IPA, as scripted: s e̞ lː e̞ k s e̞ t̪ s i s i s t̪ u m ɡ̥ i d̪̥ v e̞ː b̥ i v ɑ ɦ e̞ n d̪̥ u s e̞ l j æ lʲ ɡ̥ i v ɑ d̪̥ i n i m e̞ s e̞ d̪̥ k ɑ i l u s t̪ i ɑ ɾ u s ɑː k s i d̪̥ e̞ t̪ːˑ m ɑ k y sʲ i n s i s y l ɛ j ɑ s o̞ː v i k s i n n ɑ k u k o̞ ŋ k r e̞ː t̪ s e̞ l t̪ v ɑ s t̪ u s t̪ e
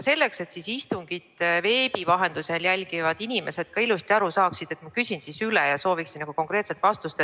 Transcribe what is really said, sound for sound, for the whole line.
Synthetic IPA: s e̞ lː e̞ k s e̞ t̪ s i s i s t̪ u ŋ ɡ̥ i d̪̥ v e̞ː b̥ i v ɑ ɦ e̞ n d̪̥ u s e̞ l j æ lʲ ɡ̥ i v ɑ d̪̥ i n i m e̞ s e̞ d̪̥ k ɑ i l u s t̪ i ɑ ɾ u s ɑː k s i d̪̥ e̞ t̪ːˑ m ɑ k y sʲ i n s i s y l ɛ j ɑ s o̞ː v i k s i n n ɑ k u k o̞ ŋ k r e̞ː t̪ s e̞ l t̪ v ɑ s t̪ u s t̪ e